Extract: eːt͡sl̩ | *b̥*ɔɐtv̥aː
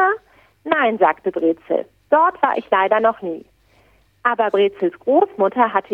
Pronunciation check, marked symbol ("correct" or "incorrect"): incorrect